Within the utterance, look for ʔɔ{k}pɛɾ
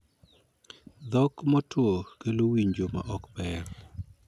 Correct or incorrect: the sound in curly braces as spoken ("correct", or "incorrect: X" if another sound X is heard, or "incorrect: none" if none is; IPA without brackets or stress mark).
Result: correct